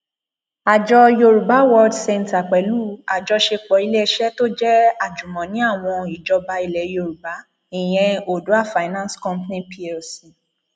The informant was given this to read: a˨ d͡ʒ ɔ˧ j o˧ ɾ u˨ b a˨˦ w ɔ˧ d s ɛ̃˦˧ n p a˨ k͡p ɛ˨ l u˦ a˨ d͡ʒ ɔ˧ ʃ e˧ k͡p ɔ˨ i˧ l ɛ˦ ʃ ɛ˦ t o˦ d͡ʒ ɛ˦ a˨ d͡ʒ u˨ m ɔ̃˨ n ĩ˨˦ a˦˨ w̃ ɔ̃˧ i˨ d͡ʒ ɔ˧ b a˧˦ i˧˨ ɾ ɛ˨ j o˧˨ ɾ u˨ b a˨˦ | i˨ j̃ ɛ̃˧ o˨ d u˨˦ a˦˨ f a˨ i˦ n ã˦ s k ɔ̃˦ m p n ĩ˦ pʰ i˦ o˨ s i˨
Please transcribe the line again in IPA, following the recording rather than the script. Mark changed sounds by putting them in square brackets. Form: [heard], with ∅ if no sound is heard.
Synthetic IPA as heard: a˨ d͡ʒ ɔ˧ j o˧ ɾ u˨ b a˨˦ w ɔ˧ d s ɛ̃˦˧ n [t] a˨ k͡p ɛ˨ l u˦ a˨ d͡ʒ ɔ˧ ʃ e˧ k͡p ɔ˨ i˧ l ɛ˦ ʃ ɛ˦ t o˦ d͡ʒ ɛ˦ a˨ d͡ʒ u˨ m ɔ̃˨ n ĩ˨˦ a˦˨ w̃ ɔ̃˧ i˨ d͡ʒ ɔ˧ b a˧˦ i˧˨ [l] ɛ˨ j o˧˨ ɾ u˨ b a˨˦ | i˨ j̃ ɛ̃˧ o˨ d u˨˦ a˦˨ f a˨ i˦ n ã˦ s k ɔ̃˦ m p n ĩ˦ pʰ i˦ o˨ s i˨

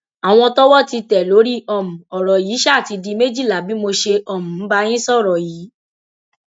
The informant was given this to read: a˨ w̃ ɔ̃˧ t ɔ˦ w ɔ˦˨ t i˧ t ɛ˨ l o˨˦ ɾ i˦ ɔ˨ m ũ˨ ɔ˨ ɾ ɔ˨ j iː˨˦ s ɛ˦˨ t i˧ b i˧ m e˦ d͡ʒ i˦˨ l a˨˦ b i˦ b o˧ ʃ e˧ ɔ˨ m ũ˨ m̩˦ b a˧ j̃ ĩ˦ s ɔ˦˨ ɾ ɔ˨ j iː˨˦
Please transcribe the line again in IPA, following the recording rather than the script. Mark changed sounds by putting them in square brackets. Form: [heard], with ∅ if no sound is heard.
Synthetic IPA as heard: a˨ w̃ ɔ̃˧ t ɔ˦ w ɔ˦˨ t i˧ t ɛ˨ l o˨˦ ɾ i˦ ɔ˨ m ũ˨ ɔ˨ ɾ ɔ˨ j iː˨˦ [ʃ] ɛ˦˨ t i˧ [d] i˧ m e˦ d͡ʒ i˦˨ l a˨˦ b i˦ [m] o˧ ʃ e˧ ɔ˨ m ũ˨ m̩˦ b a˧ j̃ ĩ˦ s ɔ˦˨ ɾ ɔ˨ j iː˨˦

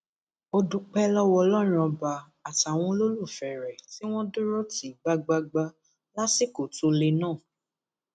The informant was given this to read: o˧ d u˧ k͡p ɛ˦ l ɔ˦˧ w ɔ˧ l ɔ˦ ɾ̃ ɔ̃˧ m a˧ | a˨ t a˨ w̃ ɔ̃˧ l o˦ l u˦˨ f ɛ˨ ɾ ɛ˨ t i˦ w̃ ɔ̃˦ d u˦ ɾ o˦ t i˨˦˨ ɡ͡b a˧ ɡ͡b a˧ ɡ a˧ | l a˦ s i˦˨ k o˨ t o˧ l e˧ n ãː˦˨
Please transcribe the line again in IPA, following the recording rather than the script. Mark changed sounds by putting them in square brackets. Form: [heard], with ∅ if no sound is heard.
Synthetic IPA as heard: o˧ d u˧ k͡p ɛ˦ l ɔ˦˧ w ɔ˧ l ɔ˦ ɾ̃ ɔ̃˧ [b] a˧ | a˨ t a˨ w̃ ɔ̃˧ l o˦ l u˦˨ f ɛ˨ ɾ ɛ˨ t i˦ w̃ ɔ̃˦ d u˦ ɾ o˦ t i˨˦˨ ɡ͡b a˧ ɡ͡b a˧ [ɡ͡b] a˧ | l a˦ s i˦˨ k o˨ t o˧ l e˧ n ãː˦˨

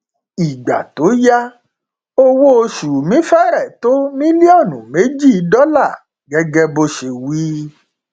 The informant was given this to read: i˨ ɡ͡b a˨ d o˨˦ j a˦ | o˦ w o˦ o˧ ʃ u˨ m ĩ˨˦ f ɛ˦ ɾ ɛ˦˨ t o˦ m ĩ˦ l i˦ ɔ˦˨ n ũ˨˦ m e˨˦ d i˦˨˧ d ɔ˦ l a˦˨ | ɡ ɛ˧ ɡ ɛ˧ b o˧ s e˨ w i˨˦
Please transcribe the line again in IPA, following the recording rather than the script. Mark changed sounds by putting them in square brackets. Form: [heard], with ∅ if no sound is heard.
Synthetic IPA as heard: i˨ ɡ͡b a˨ [t] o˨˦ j a˦ | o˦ w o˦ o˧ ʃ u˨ m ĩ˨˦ f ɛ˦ ɾ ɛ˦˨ t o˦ m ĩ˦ l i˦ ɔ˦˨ n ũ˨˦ m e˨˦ [d͡ʒ] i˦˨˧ d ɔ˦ l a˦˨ | ɡ ɛ˧ ɡ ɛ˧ b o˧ [ʃ] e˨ w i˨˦

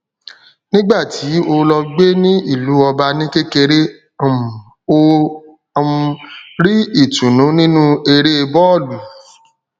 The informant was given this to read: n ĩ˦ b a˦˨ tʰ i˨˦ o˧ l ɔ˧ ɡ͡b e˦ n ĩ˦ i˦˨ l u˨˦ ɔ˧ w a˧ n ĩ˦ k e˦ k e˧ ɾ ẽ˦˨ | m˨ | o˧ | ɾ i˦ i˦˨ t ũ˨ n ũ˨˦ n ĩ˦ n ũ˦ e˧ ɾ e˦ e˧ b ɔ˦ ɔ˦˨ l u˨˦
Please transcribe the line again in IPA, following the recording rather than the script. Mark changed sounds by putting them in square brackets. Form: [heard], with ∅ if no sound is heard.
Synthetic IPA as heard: n ĩ˦ [ɡ͡b] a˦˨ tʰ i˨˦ o˧ l ɔ˧ ɡ͡b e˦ n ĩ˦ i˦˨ l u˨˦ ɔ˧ [b] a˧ n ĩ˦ k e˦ k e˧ ɾ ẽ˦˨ | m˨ | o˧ | ɾ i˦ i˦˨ t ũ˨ n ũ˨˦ n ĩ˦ n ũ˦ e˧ ɾ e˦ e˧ b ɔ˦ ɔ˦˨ l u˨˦

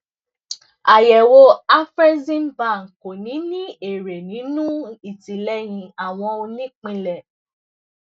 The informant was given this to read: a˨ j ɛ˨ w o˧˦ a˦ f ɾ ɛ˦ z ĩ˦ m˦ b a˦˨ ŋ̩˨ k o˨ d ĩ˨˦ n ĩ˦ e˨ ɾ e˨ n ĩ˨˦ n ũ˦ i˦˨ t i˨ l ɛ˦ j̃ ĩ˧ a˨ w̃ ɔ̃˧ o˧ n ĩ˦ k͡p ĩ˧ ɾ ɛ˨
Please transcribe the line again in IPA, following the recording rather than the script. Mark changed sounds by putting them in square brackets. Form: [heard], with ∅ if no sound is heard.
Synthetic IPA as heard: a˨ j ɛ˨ w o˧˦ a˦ f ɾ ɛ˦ z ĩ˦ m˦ b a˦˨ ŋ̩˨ k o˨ [n] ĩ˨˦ n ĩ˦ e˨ ɾ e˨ n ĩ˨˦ n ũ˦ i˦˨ t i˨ l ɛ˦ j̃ ĩ˧ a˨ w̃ ɔ̃˧ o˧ n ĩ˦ k͡p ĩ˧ [l] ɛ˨

